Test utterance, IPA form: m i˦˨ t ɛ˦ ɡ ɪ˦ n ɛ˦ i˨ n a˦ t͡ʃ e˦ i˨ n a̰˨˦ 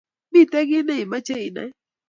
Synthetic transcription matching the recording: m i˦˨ t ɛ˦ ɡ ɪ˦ n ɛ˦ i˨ m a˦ t͡ʃ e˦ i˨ n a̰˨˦